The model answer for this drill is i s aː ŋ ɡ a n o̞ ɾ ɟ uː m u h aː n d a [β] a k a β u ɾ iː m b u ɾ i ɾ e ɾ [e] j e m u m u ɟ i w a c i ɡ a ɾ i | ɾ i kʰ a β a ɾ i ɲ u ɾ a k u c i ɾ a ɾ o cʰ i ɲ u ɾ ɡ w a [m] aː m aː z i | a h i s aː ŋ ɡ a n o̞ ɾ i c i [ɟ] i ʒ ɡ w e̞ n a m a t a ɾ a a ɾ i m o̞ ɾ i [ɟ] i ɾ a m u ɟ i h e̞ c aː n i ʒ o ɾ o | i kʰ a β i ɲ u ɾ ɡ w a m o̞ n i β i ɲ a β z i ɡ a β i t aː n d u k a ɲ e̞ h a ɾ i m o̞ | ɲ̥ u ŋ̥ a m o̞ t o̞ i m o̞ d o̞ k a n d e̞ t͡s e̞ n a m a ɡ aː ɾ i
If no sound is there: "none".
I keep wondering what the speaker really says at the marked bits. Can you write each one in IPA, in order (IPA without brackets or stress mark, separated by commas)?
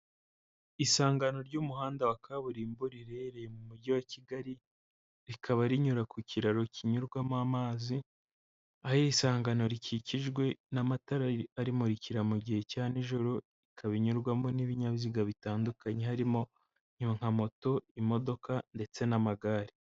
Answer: w, e, m, c, c